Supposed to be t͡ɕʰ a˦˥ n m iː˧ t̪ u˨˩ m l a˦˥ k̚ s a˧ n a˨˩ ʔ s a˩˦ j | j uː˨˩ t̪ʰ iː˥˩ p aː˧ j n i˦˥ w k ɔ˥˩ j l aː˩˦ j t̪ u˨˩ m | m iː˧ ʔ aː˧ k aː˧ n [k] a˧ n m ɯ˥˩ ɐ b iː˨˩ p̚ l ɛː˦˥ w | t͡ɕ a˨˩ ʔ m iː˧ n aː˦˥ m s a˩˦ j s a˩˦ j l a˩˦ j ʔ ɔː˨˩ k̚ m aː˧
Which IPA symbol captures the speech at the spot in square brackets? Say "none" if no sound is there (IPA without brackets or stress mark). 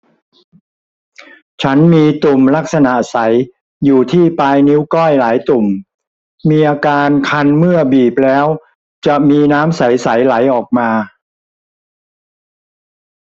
kʰ